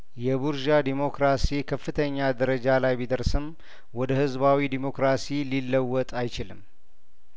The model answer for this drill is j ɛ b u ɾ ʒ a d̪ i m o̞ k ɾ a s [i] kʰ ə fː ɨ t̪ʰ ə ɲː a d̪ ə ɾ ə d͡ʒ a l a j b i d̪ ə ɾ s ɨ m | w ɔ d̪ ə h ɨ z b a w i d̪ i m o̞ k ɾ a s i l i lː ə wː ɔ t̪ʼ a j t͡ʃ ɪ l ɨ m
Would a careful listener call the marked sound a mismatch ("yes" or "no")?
no